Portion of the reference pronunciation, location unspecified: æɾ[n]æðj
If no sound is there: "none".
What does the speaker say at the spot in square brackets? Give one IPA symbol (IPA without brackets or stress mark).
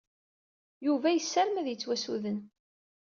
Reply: m